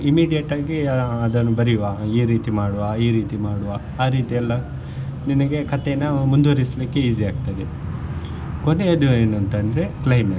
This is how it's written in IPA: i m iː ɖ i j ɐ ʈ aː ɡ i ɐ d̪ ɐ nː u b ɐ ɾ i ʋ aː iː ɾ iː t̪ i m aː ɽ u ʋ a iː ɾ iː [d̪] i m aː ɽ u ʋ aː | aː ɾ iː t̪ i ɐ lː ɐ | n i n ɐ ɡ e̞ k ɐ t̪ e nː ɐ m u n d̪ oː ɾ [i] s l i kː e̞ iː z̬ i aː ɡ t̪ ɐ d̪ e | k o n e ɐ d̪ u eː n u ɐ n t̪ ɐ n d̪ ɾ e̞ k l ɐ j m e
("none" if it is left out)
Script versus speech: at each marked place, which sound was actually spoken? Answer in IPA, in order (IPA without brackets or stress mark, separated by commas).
t̪, i